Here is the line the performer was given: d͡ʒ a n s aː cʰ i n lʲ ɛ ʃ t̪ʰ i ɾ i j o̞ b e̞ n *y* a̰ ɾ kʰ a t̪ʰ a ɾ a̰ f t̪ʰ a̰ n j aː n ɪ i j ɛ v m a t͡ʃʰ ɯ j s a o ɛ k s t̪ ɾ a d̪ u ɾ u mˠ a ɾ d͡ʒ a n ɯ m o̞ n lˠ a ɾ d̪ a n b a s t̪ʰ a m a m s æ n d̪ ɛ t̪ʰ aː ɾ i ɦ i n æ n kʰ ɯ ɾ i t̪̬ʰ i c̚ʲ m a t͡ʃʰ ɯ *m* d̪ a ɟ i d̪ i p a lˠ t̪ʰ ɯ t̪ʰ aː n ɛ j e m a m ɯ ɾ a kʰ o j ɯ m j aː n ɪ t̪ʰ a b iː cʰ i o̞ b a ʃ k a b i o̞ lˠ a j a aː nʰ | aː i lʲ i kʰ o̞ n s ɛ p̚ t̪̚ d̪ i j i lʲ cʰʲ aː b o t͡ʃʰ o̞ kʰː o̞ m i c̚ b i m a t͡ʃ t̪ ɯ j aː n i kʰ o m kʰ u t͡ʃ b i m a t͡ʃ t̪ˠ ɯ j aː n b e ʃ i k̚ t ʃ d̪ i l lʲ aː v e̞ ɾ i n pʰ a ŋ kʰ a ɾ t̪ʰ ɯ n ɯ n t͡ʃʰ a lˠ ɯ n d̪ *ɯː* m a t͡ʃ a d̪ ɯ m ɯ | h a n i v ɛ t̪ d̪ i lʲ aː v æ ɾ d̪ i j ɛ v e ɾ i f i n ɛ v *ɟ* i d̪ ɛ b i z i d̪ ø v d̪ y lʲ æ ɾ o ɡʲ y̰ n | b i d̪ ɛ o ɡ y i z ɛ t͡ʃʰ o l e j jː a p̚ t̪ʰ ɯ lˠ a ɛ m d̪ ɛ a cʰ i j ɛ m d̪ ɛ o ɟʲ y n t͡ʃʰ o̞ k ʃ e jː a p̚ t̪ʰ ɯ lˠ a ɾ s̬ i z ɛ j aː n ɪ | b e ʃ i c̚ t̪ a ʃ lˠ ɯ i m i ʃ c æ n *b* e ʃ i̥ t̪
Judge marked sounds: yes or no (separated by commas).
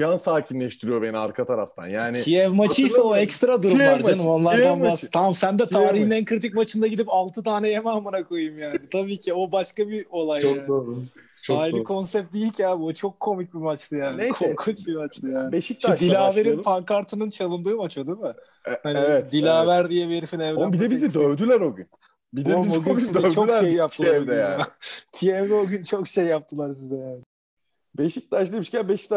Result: no, no, yes, no, yes